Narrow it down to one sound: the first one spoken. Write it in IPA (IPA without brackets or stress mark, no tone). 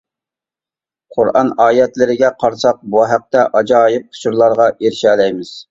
qʰ